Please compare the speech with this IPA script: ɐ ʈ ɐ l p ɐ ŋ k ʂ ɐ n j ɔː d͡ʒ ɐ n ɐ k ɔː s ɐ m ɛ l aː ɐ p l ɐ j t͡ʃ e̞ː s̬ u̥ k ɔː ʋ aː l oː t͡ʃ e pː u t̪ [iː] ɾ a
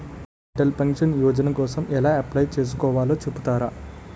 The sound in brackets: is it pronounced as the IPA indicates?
no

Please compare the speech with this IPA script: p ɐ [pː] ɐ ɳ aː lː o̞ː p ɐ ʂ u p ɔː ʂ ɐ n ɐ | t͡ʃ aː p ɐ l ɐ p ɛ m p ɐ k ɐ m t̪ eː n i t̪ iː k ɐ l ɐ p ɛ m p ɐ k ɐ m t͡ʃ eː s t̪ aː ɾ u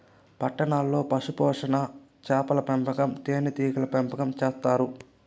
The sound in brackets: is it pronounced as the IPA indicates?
no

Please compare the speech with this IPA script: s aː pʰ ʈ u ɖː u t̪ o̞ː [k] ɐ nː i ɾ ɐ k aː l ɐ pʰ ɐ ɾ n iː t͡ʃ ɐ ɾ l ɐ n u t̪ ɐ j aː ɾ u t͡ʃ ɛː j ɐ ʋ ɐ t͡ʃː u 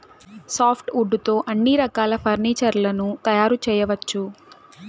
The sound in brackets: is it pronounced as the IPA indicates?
no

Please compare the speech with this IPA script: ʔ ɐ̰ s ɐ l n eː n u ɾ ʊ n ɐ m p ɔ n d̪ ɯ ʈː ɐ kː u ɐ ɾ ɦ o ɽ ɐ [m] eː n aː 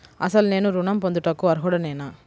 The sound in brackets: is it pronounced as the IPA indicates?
no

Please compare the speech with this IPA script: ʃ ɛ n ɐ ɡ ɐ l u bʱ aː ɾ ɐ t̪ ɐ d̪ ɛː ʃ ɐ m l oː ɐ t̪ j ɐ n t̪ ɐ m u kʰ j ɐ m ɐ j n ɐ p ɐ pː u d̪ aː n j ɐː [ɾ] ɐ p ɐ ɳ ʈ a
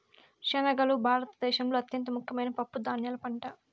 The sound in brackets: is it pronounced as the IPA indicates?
no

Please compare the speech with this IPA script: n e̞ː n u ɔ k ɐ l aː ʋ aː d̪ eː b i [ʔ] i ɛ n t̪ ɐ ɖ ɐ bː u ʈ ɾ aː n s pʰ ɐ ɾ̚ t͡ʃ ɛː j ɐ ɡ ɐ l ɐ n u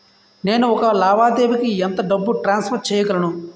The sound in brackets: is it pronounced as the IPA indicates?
no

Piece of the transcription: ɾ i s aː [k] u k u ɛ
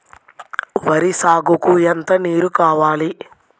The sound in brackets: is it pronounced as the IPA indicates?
no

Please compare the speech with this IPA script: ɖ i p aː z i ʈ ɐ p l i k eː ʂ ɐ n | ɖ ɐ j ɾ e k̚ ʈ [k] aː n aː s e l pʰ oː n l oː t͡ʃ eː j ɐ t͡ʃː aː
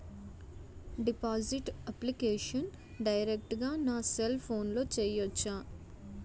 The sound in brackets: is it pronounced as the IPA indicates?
no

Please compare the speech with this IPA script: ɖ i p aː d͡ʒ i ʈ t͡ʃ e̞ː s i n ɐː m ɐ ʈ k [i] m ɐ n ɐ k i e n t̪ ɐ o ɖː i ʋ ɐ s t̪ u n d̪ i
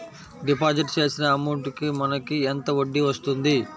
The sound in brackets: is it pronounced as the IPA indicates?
yes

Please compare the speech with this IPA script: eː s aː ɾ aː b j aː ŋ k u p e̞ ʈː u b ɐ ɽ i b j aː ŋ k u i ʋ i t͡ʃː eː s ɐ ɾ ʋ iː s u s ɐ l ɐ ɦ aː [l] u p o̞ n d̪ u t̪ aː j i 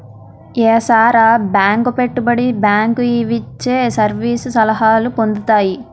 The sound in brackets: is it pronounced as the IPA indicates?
yes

